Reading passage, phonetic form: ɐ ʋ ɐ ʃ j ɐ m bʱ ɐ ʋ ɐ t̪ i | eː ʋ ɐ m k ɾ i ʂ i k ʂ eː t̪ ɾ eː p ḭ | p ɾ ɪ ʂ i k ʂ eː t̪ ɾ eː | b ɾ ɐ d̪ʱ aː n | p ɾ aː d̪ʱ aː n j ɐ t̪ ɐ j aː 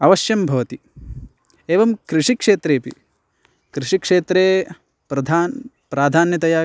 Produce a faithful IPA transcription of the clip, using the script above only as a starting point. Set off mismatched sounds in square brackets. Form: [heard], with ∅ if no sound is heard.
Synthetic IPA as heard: ɐ ʋ ɐ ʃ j ɐ m bʱ ɐ ʋ ɐ t̪ i | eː ʋ ɐ m k ɾ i ʂ i k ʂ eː t̪ ɾ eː p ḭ | [k] ɾ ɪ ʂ i k ʂ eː t̪ ɾ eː | [p] ɾ ɐ d̪ʱ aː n | p ɾ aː d̪ʱ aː n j ɐ t̪ ɐ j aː